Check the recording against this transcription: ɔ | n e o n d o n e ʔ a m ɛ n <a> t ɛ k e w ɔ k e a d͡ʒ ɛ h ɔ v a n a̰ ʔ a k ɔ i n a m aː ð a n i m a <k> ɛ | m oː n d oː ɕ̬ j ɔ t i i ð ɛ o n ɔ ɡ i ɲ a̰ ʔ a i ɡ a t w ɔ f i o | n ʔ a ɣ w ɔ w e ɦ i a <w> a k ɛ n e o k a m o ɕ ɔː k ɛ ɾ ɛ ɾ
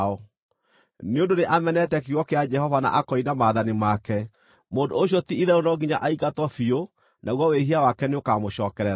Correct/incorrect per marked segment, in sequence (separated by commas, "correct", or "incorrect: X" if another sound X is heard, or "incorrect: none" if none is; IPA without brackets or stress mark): incorrect: ɛ, correct, correct